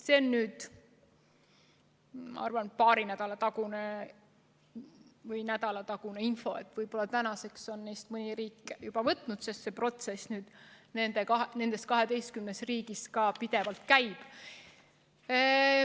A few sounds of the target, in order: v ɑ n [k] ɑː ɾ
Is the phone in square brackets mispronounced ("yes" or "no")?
yes